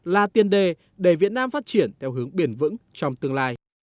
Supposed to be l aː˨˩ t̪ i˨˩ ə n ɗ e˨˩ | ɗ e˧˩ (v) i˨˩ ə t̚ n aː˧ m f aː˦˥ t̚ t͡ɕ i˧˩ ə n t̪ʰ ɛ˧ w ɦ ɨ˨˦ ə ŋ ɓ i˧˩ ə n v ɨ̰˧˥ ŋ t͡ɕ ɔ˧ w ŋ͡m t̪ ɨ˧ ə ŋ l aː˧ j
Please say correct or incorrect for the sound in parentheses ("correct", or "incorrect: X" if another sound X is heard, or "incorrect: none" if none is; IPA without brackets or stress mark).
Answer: correct